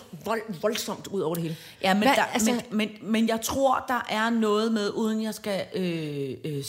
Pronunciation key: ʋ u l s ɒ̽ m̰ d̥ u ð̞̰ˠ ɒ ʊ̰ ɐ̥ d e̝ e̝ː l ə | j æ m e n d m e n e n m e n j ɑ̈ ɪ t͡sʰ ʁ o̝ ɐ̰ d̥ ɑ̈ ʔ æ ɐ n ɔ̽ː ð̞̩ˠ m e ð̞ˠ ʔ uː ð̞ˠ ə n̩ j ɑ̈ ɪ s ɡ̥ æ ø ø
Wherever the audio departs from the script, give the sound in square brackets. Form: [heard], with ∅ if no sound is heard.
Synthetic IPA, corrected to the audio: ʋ [ɒ] l s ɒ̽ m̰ d̥ u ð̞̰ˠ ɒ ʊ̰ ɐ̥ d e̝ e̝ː l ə | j æ m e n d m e [m] e n m e n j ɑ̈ ɪ t͡sʰ ʁ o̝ ɐ̰ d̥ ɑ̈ ʔ æ ɐ n ɔ̽ː ð̞̩ˠ m e ð̞ˠ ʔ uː ð̞ˠ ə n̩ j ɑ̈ ɪ s ɡ̥ æ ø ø